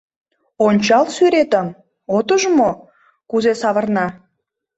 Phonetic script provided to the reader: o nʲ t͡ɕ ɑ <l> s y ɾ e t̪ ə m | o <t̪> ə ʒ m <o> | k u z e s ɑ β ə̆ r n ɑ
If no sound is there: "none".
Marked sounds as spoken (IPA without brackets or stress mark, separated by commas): l, t̪, o